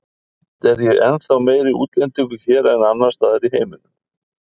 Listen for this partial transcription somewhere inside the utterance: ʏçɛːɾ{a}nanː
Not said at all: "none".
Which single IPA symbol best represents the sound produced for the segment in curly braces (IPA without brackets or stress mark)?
ɛ